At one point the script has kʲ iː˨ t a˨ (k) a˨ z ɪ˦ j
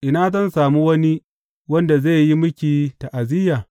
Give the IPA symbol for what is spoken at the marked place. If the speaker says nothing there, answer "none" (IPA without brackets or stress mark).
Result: ʔ